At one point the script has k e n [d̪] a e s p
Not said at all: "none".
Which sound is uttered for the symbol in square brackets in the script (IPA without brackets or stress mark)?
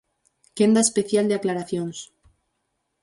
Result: d̪